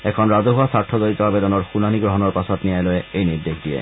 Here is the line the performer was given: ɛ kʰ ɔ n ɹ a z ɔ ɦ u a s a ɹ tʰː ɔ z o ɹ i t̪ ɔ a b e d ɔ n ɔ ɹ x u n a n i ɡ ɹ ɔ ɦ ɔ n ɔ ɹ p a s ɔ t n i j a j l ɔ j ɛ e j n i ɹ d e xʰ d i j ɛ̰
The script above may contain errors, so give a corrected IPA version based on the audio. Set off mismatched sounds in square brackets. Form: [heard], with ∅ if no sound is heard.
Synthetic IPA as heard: ɛ kʰ ɔ n ɹ a z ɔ ɦ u a s a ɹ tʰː ɔ z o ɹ i t̪ ɔ a b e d ɔ n ɔ ɹ x u n a n i ɡ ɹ ɔ ɦ ɔ n ɔ ɹ p a s ɔ t n i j a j l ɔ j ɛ e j n i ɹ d e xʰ d i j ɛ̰